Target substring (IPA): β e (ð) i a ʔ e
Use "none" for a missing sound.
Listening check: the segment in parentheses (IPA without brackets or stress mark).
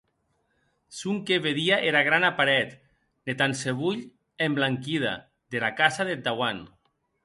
ð